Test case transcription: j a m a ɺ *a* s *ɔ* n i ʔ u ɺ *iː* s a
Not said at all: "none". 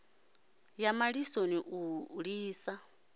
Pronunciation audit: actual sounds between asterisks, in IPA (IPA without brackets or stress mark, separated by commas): i, o, iː